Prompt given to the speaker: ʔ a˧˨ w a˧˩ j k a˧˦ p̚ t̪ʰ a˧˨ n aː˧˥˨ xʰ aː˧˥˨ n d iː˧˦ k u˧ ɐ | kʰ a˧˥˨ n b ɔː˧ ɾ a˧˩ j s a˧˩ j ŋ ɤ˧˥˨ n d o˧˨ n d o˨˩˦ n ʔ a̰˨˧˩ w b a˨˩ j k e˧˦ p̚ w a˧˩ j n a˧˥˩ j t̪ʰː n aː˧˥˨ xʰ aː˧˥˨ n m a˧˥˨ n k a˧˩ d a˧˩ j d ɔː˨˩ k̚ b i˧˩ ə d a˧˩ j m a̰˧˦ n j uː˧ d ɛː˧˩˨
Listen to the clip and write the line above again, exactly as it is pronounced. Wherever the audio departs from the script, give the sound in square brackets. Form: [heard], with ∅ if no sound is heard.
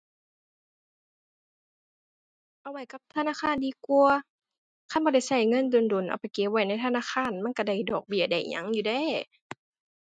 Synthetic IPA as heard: ʔ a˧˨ w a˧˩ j k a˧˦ p̚ t̪ʰ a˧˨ n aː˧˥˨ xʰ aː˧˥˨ n d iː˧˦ k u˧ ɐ | kʰ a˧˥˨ n b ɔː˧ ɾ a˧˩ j s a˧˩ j ŋ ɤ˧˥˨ n d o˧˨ n d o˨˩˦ n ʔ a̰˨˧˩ w [p] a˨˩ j k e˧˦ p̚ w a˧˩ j n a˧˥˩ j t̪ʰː n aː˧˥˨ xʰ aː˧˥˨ n m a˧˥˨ n k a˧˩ d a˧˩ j d ɔː˨˩ k̚ b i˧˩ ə d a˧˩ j [ɲ] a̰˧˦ [ŋ] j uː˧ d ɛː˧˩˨